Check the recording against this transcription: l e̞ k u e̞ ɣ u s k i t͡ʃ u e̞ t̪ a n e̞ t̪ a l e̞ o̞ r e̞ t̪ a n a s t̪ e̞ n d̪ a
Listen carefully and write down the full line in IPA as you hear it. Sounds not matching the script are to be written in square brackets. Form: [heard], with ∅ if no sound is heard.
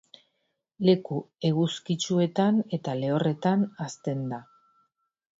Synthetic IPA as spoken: l e̞ k u e̞ ɣ u s k i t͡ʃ u e̞ t̪ a n e̞ t̪ a l e̞ o̞ r e̞ t̪ a n a s t̪ e̞ n d̪ a